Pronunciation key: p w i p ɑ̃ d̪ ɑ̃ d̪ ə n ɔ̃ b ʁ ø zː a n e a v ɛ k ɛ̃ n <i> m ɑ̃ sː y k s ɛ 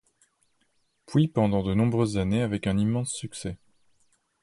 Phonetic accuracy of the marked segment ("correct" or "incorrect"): correct